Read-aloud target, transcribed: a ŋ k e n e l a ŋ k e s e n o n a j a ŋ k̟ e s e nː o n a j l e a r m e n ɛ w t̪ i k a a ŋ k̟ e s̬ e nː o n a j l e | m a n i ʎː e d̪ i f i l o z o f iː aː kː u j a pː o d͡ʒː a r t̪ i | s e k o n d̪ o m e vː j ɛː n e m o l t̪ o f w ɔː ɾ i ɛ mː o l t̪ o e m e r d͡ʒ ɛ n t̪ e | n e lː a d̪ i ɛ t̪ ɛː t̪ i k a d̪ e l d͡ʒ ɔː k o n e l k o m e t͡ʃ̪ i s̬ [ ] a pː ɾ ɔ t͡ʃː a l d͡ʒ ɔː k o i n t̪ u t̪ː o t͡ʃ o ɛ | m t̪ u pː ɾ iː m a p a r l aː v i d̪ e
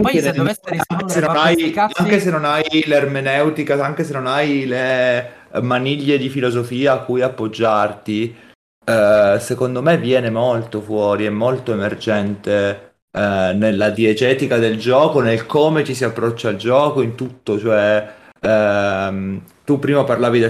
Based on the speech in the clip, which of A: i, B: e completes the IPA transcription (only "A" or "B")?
A